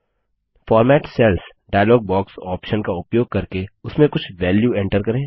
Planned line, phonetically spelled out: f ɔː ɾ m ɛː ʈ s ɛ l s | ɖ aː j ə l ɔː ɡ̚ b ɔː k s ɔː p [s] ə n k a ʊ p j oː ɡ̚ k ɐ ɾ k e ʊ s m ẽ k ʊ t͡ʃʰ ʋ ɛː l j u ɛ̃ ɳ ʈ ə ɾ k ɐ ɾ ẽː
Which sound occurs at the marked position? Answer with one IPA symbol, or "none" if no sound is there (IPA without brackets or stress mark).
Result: ʃ